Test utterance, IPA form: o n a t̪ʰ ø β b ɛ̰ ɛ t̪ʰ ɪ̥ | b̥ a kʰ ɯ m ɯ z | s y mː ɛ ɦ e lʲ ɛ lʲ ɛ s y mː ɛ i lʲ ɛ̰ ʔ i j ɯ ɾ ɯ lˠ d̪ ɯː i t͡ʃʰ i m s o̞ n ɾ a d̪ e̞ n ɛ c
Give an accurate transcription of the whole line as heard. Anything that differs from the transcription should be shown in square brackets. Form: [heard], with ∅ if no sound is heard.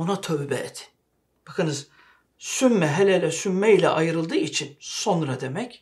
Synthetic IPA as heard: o n a t̪ʰ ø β b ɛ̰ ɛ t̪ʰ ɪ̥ | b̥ a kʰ ɯ [n] ɯ z | s y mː ɛ ɦ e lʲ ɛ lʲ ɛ s y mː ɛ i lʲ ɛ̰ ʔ [a] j ɯ ɾ ɯ lˠ d̪ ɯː i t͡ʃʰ i [n] s o̞ n ɾ a d̪ e̞ [m] ɛ c